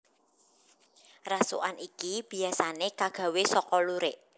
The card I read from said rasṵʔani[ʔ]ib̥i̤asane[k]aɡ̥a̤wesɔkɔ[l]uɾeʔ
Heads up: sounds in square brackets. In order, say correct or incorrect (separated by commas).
incorrect, correct, correct